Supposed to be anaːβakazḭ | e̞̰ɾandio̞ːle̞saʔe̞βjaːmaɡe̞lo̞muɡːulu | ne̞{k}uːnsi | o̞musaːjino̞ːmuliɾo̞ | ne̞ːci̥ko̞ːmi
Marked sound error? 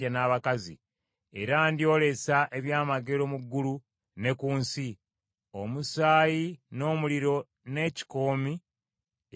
no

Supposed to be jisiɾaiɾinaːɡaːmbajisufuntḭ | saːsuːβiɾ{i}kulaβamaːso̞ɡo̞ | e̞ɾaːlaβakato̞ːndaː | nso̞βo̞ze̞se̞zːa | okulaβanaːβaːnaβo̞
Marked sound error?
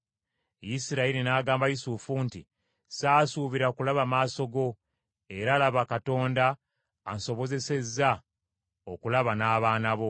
yes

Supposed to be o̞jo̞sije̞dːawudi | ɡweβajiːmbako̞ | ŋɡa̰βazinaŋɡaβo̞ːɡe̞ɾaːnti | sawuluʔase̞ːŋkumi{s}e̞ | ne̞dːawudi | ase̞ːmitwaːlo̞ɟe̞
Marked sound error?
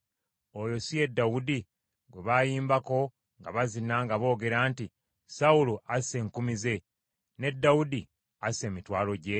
yes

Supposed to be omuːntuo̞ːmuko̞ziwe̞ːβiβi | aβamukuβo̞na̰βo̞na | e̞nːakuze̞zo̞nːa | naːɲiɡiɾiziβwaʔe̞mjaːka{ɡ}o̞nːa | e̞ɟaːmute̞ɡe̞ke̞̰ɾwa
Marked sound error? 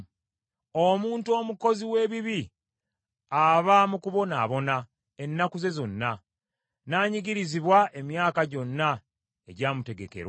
yes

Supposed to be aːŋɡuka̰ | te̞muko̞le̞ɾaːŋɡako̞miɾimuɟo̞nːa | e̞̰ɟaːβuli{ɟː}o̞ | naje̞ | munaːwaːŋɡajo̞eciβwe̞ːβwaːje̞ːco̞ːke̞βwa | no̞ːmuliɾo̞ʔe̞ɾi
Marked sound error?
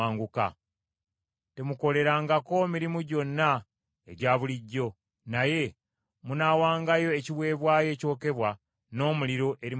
no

